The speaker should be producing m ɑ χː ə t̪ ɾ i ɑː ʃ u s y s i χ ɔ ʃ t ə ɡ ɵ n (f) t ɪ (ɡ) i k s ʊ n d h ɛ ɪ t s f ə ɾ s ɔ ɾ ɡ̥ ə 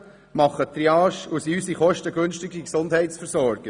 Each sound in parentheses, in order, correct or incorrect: incorrect, correct

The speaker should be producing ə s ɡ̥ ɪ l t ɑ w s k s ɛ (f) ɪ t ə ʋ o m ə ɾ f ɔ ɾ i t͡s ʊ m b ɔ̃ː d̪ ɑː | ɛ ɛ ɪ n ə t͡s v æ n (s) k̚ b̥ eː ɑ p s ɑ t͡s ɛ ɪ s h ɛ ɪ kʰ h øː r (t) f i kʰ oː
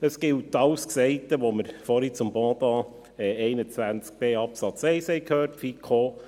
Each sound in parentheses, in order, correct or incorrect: incorrect, incorrect, correct

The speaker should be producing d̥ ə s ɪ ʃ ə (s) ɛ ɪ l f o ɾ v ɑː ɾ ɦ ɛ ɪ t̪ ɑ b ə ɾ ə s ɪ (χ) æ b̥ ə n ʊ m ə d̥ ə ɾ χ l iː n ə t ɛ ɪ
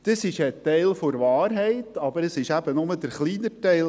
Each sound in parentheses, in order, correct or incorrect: incorrect, incorrect

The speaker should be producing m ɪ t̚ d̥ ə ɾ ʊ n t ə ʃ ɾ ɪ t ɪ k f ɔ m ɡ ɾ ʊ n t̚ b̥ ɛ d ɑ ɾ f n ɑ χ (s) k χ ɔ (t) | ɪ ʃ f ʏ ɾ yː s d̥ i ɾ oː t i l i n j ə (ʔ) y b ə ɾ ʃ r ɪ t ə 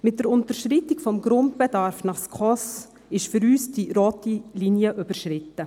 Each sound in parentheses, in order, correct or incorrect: correct, incorrect, correct

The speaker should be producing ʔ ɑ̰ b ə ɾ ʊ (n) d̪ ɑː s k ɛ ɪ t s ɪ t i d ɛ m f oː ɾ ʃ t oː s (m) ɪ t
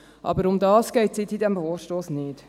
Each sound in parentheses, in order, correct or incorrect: incorrect, incorrect

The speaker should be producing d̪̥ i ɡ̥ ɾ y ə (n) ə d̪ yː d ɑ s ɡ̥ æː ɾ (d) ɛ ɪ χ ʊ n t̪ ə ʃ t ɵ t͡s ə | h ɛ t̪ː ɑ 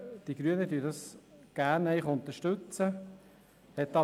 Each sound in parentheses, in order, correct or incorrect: correct, incorrect

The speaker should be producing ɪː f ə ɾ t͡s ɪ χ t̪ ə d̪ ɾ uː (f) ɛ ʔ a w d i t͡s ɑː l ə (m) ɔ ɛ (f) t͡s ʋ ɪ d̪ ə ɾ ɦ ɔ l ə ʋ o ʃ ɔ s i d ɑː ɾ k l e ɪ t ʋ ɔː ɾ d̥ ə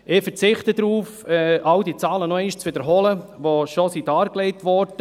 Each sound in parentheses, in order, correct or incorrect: correct, incorrect, incorrect

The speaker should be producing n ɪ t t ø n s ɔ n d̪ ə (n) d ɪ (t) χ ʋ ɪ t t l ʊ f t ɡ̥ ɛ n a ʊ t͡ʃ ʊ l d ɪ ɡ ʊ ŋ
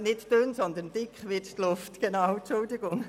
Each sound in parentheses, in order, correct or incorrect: correct, incorrect

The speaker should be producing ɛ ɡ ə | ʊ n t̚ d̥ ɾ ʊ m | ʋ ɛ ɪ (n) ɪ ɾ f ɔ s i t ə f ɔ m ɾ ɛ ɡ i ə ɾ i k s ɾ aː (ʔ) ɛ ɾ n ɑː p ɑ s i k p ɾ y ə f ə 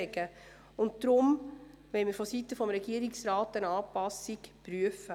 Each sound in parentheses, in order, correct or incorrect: incorrect, incorrect

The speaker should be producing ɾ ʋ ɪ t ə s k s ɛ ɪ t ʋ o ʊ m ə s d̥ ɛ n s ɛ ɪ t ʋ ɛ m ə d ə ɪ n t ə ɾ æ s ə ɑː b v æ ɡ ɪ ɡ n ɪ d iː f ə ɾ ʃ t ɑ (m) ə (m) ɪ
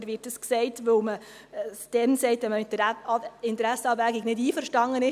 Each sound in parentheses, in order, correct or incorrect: incorrect, incorrect

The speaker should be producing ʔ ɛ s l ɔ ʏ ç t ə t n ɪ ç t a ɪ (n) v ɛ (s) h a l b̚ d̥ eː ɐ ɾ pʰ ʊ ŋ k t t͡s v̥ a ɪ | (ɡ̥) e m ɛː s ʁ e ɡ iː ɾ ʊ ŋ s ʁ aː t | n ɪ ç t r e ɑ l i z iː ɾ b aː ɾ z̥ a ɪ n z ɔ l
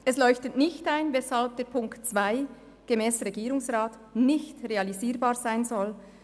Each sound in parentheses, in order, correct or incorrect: correct, correct, correct

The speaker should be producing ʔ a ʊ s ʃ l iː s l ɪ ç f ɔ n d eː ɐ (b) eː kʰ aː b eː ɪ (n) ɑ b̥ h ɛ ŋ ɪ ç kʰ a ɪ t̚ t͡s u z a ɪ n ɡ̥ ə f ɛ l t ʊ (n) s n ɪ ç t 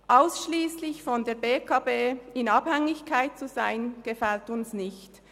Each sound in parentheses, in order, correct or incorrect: correct, correct, correct

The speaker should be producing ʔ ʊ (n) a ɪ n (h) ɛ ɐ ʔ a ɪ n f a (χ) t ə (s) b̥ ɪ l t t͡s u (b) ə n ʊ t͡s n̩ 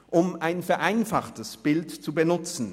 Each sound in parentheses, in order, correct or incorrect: incorrect, incorrect, correct, correct, correct

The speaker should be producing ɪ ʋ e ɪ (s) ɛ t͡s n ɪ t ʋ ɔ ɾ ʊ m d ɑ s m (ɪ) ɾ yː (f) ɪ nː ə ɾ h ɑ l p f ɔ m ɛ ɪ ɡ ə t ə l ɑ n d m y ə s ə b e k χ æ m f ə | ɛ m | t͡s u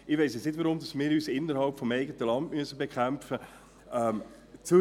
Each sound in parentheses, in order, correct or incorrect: correct, incorrect, incorrect

